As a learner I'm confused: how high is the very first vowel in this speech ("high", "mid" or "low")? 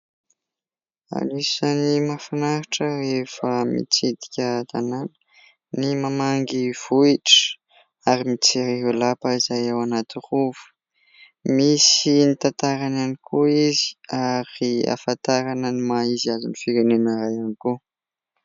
low